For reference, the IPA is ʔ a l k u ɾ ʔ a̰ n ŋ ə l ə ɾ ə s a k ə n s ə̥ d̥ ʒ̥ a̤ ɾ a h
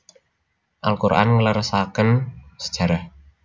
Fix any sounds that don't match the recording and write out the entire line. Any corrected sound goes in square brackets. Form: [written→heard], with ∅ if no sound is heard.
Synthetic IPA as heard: ʔ a l k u ɾ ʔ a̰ n ŋ ə l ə ɾ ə s a k ə n s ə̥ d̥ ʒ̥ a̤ ɾ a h